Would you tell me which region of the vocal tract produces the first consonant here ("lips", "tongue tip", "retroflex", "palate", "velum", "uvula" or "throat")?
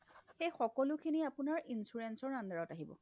velum